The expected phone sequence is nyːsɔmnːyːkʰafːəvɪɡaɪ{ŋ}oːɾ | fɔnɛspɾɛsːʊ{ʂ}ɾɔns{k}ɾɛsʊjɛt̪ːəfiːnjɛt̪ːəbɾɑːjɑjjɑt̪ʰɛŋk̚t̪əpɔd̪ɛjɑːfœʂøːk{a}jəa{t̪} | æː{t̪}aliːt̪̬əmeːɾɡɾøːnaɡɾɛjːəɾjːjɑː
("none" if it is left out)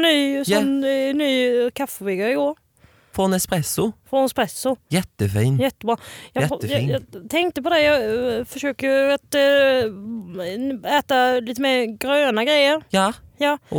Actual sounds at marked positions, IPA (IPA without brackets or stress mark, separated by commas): ɡ, f, p, ə, t̪, t̪